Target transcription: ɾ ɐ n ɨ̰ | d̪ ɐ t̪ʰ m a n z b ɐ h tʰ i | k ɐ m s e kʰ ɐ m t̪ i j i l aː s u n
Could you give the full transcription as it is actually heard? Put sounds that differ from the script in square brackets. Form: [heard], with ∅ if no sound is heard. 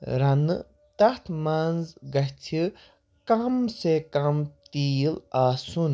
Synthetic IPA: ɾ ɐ n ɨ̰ | [t̪] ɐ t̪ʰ m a n z [ɡ] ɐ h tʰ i | k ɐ m s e [k] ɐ m t̪ i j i l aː s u n

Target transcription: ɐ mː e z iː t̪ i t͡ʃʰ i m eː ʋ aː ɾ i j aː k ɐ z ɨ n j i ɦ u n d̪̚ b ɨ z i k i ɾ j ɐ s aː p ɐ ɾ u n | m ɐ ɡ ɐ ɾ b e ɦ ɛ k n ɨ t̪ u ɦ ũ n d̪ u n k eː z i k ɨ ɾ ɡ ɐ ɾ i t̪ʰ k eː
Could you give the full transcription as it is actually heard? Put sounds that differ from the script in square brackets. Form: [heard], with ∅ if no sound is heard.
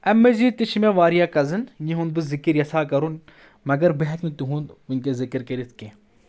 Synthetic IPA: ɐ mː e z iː t̪ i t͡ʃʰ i m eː ʋ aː ɾ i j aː k ɐ z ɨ n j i ɦ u n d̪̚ b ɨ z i k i ɾ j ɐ s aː [k] ɐ ɾ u n | m ɐ ɡ ɐ ɾ b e ɦ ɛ k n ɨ t̪ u ɦ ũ n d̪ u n k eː z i k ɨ ɾ [k] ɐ ɾ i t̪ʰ k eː

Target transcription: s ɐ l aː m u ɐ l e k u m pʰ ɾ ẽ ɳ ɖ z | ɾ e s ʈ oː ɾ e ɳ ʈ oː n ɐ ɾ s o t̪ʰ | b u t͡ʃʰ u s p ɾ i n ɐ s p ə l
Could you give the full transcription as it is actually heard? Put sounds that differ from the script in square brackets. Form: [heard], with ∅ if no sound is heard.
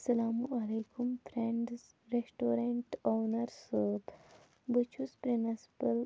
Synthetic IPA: s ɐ l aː m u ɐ l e k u m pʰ ɾ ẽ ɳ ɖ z | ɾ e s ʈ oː ɾ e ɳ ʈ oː n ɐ ɾ s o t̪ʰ | b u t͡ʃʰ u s p ɾ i n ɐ s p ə l

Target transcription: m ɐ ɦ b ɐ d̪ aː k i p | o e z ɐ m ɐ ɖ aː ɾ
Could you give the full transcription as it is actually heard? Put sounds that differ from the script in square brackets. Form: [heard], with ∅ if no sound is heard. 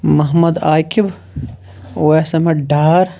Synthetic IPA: m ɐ ɦ [m] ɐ d̪ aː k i [b] | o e [s] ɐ m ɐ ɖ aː ɾ

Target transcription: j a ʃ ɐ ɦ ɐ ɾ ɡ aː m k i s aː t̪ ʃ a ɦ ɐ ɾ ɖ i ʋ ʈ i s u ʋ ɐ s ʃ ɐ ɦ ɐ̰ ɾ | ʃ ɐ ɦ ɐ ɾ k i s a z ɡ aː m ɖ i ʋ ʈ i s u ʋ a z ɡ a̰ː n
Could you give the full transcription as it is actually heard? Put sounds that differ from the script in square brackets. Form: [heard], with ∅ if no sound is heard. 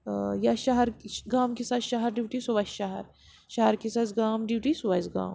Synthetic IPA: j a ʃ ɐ ɦ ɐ ɾ ɡ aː m k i s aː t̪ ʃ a ɦ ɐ ɾ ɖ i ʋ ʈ i s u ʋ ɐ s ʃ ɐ ɦ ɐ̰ ɾ | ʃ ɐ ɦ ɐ ɾ k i s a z ɡ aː m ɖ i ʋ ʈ i s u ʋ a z ɡ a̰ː [m]

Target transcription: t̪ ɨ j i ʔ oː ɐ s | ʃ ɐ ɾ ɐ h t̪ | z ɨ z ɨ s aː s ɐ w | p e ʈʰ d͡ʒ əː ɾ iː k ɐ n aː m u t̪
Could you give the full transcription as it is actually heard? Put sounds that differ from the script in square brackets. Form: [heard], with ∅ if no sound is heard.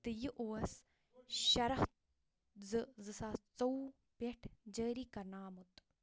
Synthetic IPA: t̪ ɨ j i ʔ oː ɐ s | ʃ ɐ ɾ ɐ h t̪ | z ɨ z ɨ s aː [t͡s] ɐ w | p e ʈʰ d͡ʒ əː ɾ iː k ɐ n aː m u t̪

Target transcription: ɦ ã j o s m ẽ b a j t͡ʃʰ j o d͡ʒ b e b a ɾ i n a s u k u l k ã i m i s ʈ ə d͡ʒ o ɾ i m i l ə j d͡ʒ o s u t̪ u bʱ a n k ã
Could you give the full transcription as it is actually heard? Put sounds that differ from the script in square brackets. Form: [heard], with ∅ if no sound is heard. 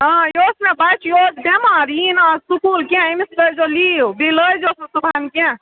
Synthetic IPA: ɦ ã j o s m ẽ b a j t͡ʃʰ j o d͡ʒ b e [m] a ɾ i n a s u k u l k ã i m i s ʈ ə d͡ʒ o [l] i [b] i l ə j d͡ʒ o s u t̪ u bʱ a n k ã

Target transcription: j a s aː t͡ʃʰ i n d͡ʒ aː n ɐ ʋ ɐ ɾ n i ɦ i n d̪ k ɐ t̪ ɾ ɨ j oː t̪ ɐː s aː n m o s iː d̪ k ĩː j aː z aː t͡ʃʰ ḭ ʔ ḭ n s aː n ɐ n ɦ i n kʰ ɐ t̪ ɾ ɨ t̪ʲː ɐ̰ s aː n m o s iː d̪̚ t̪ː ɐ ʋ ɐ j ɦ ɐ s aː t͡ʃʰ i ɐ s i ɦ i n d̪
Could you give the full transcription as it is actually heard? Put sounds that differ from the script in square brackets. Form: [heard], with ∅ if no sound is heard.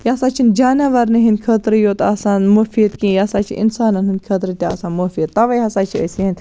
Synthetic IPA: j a s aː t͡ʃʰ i n d͡ʒ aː n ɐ ʋ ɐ ɾ n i ɦ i n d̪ [kʰ] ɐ t̪ ɾ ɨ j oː t̪ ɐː s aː n m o [f] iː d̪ k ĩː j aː [s] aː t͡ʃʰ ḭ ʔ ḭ n s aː n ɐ n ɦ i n kʰ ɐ t̪ ɾ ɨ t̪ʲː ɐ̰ s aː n m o [f] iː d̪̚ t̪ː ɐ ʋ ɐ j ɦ ɐ s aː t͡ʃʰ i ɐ s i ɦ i n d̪

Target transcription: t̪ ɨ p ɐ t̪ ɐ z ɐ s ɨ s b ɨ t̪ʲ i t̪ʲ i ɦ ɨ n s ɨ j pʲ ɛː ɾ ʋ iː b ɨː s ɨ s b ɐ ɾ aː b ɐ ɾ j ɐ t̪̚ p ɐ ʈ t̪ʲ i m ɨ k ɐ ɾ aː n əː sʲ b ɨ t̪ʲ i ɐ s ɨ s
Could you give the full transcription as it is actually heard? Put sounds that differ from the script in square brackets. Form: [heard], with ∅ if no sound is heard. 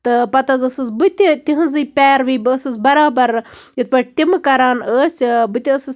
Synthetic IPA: t̪ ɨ p ɐ t̪ ɐ z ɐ s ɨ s b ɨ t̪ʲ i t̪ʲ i ɦ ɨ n [z] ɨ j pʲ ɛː ɾ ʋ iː b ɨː s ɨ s b ɐ ɾ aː b ɐ ɾ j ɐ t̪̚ p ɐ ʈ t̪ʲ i m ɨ k ɐ ɾ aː n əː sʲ b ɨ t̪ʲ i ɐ s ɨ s

